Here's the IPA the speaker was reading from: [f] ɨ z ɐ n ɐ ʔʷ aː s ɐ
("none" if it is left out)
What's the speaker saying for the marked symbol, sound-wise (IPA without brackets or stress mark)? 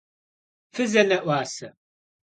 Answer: f